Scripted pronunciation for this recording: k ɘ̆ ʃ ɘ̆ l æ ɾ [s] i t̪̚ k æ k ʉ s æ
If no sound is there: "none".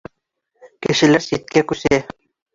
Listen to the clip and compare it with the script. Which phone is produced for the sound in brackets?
s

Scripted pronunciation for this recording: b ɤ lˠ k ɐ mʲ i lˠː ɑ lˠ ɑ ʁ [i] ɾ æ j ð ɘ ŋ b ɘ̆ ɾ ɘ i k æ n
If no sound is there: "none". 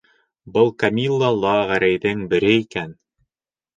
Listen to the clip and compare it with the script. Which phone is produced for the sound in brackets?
æ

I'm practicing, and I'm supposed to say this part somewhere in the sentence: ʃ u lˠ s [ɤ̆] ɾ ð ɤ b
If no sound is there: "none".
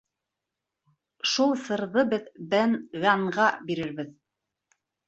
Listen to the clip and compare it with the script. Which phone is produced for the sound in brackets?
ɤ̆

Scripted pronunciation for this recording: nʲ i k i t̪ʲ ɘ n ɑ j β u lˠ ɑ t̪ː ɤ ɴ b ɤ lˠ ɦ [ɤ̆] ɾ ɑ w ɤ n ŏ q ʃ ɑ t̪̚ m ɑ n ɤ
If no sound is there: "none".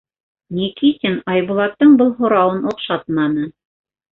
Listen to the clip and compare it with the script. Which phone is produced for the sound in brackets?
ŏ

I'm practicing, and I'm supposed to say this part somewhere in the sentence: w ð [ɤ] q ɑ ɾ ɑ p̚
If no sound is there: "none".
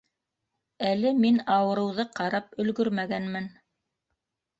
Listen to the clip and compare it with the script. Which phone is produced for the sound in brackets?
ɤ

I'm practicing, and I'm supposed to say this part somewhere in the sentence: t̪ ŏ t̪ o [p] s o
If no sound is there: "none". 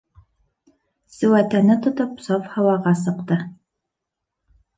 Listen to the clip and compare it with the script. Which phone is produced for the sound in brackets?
p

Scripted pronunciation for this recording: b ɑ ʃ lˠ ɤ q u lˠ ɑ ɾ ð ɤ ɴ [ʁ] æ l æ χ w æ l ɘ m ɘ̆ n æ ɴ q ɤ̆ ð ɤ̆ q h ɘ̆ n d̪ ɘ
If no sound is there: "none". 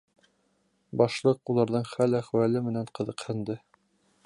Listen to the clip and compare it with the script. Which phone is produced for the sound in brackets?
χ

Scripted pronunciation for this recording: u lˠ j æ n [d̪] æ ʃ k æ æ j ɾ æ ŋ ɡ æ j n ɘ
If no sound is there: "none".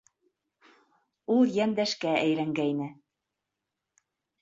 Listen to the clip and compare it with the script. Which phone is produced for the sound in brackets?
d̪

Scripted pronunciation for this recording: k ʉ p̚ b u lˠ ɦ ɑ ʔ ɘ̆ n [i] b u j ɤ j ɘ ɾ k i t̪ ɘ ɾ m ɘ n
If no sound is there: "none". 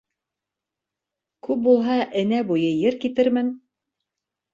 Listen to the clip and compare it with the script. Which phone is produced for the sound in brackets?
æ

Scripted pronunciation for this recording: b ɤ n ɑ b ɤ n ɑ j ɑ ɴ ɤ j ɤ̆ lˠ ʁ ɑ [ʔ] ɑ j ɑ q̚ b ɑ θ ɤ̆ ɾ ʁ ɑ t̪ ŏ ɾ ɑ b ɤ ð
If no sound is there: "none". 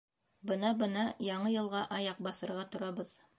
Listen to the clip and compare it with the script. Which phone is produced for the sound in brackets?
ʔ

